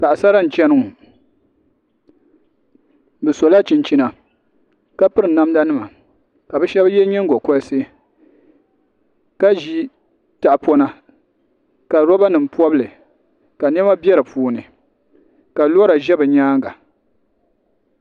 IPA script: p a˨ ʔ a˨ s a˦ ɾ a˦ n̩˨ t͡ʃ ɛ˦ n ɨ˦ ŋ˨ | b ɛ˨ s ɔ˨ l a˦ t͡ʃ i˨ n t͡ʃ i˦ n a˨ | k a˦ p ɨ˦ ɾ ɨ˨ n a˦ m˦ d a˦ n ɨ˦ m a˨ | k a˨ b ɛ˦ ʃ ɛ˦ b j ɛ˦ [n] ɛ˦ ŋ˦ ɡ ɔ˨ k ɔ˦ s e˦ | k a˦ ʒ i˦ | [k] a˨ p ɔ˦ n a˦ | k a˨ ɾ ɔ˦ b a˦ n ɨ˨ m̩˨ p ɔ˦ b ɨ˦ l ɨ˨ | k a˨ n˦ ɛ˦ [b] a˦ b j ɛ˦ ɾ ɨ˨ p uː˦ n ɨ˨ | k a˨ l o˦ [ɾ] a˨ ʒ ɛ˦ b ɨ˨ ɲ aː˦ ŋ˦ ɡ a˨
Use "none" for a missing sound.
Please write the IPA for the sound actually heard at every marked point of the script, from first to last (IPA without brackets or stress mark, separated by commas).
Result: ɲ, t, m, ɾ